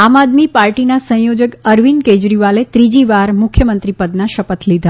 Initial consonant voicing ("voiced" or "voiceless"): voiced